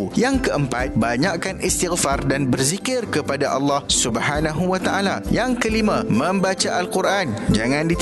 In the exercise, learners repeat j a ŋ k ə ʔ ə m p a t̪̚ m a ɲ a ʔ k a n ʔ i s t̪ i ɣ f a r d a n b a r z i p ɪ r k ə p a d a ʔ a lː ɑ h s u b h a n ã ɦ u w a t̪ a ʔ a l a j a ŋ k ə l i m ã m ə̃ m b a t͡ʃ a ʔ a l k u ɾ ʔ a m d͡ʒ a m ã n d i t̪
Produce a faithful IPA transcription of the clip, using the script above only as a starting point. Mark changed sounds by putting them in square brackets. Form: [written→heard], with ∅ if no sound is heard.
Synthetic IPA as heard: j a ŋ k ə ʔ ə m p a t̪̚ [m→b] a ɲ a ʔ k a n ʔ i s t̪ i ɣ f a r d a n b [a→ə] r z i [p→k] ɪ r k ə p a d a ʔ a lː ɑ h s u b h a n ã ɦ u w a t̪ a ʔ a l a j a ŋ k ə l i m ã m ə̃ m b a t͡ʃ a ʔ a l k u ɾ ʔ a [m→n] d͡ʒ a [m→ŋ] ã n d i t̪